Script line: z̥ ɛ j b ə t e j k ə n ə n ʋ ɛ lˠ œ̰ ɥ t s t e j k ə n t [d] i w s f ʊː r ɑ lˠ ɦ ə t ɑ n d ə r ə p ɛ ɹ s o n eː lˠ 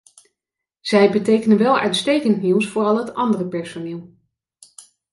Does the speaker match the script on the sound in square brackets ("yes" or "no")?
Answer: no